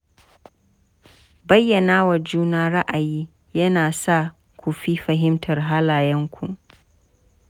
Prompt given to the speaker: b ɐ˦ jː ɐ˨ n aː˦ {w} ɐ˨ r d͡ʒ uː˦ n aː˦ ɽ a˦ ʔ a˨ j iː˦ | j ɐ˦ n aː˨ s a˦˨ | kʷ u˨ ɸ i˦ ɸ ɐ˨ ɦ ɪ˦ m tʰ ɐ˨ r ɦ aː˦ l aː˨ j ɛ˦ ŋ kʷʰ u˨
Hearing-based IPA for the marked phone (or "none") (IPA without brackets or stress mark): w